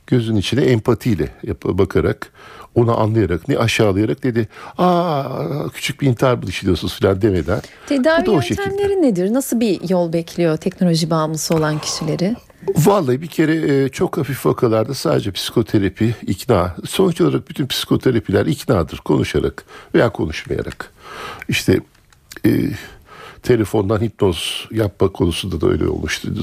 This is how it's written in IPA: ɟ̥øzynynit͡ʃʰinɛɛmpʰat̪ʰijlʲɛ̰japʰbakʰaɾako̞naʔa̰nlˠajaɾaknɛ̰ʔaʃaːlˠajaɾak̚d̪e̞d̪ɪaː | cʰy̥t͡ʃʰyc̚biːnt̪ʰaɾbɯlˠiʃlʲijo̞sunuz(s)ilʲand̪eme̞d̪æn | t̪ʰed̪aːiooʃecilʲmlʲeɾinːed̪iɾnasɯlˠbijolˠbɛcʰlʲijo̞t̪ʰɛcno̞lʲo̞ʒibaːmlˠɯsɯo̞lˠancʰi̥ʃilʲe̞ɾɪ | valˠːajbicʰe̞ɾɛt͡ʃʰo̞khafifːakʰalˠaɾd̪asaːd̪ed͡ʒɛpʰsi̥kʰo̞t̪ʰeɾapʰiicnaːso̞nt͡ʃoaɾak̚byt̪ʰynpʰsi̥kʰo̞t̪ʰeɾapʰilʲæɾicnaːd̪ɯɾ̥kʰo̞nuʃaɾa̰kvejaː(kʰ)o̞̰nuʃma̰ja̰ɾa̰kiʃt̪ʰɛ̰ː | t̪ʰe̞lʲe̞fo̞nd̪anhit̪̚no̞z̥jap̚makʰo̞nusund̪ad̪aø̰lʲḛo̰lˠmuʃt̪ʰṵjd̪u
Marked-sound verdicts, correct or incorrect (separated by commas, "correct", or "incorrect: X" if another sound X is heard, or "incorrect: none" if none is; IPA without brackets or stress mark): incorrect: f, correct